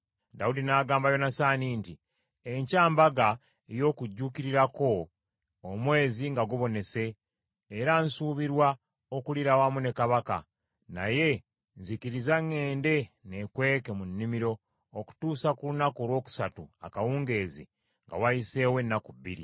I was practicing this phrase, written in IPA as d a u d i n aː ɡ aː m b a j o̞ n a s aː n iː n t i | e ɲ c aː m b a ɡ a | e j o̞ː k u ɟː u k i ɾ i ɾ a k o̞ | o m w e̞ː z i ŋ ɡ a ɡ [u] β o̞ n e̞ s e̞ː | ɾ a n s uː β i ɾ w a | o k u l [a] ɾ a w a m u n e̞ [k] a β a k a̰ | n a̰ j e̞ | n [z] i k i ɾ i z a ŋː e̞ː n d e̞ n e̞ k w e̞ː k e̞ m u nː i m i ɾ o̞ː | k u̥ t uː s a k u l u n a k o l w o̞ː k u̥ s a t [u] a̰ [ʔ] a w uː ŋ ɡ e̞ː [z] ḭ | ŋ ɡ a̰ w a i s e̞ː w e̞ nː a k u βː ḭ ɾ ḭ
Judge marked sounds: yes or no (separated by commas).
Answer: yes, no, yes, yes, yes, no, yes